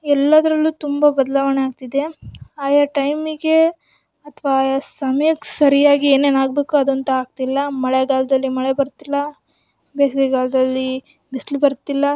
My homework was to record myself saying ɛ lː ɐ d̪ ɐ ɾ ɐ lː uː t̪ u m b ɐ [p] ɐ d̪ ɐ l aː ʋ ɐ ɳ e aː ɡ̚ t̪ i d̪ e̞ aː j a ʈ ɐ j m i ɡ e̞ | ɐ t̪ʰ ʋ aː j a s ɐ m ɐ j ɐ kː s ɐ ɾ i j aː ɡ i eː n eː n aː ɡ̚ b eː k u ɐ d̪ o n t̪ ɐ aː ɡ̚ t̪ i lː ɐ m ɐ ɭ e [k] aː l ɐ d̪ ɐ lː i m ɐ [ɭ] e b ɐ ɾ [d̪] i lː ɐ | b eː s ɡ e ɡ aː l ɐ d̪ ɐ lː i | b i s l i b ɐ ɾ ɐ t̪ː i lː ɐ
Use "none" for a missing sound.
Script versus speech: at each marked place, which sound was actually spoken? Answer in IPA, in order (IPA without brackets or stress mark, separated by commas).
b, ɡ, ɭ, t̪